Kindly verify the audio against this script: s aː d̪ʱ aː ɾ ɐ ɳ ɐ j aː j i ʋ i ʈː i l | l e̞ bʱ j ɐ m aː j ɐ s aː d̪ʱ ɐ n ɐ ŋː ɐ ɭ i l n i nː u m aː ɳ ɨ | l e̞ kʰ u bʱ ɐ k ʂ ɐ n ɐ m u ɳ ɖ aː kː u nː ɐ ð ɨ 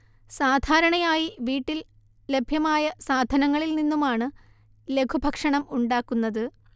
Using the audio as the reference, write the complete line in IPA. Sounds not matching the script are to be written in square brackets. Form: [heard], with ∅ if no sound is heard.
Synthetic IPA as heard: s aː d̪ʱ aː ɾ ɐ ɳ ɐ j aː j i ʋ [iː] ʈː i l | l e̞ bʱ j ɐ m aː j ɐ s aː d̪ʱ ɐ n ɐ ŋː ɐ ɭ i l n i nː u m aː ɳ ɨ | l e̞ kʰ u bʱ ɐ k ʂ ɐ [ɳ] ɐ m u ɳ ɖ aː kː u nː ɐ ð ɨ